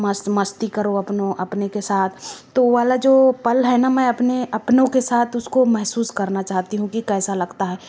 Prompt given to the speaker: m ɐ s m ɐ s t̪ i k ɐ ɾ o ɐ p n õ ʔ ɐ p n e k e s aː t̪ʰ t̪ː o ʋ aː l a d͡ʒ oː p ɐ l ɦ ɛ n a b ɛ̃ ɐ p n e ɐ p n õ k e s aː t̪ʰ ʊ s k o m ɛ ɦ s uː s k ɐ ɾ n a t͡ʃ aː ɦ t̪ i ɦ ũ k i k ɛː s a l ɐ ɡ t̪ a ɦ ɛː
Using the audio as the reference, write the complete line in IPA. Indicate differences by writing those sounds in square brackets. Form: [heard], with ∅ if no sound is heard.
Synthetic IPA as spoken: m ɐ s m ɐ s t̪ i k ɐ ɾ o ɐ p n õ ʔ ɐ p n e k e s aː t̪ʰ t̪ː o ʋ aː l a d͡ʒ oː p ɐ l ɦ ɛ n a [m] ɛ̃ ɐ p n e ɐ p n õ k e s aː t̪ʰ ʊ s k o m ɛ ɦ s uː s k ɐ ɾ n a t͡ʃ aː ɦ t̪ i ɦ ũ k i k ɛː s a l ɐ ɡ t̪ a ɦ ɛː